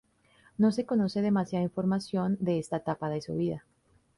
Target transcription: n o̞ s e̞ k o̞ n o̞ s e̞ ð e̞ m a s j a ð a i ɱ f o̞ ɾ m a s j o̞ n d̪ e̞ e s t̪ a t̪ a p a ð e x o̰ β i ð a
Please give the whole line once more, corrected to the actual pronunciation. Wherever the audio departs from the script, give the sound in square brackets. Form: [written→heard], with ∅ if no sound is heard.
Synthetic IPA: n o̞ s e̞ k o̞ n o̞ s e̞ ð e̞ m a s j a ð a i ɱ f o̞ ɾ m a s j o̞ n d̪ e̞ e s t̪ a t̪ a p a ð e [x→s] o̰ β i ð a